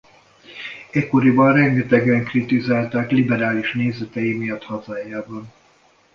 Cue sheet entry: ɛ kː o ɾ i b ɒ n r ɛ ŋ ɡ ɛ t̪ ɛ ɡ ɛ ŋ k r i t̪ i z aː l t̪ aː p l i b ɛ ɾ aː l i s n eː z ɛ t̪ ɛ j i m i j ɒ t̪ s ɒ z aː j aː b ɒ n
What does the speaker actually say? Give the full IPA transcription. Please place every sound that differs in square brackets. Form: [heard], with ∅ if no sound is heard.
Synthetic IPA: ɛ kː o ɾ i b ɒ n r ɛ ŋ ɡ ɛ t̪ ɛ ɡ ɛ ŋ k r i t̪ i z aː l t̪ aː [k] l i b ɛ ɾ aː l i [ʃ] n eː z ɛ t̪ ɛ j i m i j ɒ t̪ [h] ɒ z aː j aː b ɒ n